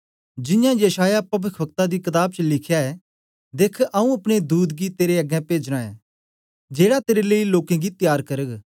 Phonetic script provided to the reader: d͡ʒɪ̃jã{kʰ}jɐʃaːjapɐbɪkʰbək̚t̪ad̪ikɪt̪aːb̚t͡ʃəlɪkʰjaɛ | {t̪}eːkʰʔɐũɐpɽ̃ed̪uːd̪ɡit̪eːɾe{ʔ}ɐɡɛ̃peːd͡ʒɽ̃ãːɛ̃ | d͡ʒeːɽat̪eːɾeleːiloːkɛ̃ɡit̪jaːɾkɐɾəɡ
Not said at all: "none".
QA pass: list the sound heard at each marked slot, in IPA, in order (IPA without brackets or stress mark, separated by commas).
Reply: none, d̪, none